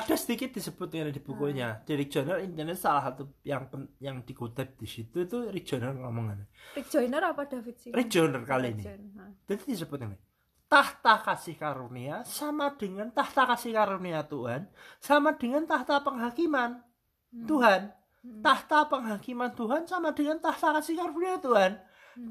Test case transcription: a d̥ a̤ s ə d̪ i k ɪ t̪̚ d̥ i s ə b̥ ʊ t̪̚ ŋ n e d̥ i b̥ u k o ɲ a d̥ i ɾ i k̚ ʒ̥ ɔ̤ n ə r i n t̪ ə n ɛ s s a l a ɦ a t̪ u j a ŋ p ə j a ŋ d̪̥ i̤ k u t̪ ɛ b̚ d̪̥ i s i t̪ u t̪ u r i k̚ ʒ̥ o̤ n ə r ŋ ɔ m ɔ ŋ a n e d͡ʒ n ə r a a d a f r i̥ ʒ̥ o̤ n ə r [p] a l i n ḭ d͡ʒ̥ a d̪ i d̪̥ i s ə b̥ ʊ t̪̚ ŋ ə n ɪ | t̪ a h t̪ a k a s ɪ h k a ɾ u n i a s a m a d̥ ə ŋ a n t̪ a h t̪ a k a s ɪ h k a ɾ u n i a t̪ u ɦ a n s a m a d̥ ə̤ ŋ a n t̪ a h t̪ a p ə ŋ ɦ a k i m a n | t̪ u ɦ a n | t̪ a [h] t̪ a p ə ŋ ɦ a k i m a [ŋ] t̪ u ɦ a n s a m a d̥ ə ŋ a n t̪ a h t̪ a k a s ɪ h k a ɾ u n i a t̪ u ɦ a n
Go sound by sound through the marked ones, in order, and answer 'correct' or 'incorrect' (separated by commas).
incorrect, correct, incorrect